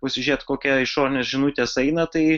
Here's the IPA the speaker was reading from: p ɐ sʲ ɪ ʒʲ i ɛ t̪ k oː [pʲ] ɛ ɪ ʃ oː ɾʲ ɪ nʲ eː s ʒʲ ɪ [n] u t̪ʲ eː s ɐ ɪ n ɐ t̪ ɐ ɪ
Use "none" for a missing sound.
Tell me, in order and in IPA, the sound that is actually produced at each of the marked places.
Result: kʲ, n

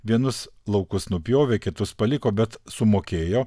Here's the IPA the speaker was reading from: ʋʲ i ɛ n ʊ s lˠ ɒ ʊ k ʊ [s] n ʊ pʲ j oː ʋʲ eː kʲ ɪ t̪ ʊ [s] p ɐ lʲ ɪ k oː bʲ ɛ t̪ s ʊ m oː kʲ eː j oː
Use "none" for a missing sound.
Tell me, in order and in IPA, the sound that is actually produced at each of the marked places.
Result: s, s

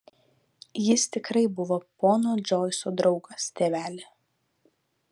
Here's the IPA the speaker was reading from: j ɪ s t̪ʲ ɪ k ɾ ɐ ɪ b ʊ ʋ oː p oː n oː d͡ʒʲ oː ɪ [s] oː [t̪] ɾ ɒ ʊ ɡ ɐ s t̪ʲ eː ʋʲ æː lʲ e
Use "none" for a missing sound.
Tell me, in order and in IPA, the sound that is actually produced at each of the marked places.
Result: s, d̪

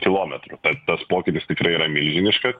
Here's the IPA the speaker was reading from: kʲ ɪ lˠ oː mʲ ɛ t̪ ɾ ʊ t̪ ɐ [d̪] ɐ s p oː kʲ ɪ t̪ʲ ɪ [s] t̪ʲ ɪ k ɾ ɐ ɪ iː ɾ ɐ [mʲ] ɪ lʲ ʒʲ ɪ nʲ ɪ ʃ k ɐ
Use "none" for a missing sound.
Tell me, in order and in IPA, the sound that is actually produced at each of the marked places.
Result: t̪, s, mʲ

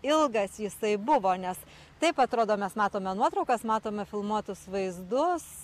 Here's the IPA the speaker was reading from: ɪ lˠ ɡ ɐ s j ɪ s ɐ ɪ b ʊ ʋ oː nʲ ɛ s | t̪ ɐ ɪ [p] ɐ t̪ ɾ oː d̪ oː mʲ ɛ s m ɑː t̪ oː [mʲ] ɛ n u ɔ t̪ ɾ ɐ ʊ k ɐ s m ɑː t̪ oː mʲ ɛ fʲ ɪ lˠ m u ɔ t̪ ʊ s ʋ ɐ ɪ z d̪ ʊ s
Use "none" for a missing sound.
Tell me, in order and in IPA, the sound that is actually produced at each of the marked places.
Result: p, mʲ

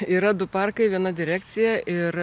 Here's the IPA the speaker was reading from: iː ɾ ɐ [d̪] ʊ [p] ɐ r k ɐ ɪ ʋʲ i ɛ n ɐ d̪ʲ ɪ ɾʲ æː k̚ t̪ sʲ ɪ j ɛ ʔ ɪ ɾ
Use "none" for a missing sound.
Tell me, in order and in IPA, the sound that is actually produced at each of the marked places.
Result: d̪, p

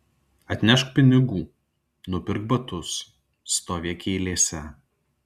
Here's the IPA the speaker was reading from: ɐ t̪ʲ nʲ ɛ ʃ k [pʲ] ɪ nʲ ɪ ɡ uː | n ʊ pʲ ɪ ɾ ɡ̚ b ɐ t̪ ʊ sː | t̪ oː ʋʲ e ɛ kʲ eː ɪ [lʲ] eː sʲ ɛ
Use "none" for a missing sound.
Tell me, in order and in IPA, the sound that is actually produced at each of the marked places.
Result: pʲ, lʲ

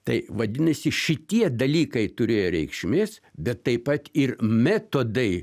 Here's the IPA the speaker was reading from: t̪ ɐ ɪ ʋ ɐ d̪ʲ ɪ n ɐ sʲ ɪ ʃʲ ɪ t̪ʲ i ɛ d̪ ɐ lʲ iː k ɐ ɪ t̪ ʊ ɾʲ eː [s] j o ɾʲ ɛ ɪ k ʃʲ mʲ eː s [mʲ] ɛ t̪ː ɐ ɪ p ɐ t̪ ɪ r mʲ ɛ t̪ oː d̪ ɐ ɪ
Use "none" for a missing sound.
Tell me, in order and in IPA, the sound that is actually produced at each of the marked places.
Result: none, bʲ

